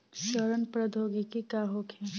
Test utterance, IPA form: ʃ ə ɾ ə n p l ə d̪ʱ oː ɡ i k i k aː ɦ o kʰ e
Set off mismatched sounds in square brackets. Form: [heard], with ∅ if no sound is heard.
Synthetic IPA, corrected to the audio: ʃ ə ɾ ə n p [ɾ] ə d̪ʱ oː ɡ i k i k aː ɦ o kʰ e

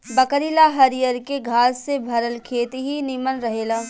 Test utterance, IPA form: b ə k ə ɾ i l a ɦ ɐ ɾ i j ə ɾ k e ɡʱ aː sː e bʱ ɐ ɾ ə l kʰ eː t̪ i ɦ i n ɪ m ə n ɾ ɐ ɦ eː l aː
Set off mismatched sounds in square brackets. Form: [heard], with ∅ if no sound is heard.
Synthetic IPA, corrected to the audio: b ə k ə ɾ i l a ɦ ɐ ɾ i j ə ɾ k e ɡʱ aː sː e bʱ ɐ ɾ ə l kʰ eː t̪ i ɦ i n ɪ m ə n ɾ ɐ ɦ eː l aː

